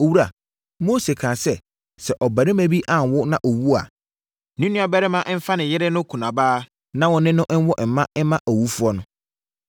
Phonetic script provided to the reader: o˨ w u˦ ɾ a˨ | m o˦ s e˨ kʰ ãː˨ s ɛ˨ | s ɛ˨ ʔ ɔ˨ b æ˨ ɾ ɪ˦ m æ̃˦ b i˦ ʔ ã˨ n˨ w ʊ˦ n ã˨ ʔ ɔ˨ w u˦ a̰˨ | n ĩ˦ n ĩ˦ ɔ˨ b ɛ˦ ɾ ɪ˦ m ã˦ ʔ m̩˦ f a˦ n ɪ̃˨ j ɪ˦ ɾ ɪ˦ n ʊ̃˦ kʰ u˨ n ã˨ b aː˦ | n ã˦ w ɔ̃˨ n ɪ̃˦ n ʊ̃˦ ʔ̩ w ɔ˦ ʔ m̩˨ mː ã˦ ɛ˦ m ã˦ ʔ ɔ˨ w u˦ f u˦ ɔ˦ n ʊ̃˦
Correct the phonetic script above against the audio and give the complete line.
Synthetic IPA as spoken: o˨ w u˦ ɾ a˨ | m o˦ s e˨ kʰ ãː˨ s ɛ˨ | s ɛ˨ ʔ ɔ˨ b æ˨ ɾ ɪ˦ m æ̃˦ b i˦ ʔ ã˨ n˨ w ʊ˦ n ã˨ ʔ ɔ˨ w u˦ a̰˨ | n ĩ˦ n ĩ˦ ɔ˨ b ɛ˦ ɾ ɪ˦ m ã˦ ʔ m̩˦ f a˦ n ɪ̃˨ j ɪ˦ ɾ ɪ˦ n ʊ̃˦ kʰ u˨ n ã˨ b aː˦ | n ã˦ w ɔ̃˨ n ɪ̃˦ n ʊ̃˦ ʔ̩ w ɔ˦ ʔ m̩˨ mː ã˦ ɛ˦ m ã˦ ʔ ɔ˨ w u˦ f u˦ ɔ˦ n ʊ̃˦